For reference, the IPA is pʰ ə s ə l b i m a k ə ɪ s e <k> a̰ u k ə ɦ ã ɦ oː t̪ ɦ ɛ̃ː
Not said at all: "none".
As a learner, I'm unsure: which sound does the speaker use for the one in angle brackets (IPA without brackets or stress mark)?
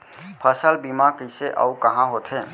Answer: ʔ